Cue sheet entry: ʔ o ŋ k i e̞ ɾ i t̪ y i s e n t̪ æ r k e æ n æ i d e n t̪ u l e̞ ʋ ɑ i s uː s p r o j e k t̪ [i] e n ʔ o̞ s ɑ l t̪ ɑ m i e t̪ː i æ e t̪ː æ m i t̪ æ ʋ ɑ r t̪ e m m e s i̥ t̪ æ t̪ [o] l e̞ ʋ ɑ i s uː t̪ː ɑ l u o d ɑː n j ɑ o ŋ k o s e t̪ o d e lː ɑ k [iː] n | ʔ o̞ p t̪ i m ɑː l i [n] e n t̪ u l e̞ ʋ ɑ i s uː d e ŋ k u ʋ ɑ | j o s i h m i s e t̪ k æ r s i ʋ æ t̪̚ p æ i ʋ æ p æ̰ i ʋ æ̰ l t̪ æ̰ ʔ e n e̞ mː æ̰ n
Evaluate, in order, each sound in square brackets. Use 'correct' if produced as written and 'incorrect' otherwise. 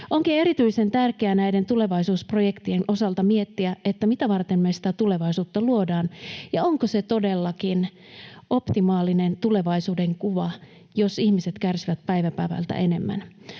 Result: correct, incorrect: u, incorrect: i, correct

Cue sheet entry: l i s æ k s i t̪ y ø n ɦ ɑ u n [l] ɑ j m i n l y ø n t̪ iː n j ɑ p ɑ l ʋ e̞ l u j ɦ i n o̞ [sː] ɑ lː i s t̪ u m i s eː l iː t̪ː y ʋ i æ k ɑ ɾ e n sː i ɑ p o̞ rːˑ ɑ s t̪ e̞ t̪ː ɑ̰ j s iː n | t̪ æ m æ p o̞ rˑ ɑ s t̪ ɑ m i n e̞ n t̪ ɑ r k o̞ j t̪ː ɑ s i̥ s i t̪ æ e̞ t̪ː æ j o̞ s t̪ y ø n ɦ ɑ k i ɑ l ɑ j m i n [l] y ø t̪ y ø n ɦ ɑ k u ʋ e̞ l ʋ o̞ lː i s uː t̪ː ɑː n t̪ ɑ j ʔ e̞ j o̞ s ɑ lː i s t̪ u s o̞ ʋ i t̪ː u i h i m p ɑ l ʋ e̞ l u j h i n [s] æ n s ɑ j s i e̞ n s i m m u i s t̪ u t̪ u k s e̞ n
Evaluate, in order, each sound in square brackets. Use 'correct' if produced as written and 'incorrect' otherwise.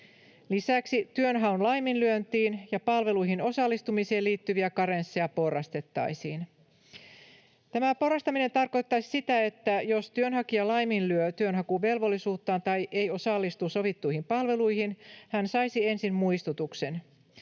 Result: correct, incorrect: s, correct, incorrect: h

